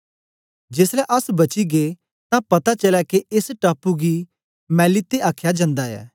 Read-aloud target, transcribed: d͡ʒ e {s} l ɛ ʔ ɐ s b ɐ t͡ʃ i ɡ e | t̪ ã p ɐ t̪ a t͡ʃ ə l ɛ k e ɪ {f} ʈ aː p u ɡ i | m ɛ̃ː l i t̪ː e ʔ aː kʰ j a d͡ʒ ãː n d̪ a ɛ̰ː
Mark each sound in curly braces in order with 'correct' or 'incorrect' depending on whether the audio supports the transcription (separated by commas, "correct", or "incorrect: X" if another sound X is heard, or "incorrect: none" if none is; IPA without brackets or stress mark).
correct, incorrect: s